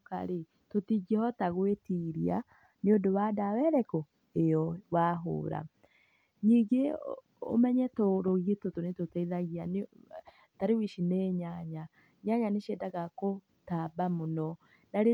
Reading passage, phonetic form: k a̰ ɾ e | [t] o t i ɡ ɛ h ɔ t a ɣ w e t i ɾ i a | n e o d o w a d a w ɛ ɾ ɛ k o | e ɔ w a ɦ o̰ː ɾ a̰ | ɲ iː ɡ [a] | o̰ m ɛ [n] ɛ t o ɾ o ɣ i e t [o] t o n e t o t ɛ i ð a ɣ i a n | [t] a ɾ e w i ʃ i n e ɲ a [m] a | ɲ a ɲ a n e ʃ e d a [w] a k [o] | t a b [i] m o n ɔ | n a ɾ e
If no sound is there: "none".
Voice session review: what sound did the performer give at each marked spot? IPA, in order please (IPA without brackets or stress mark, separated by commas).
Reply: t, e, ɲ, o, t, ɲ, ɣ, o, a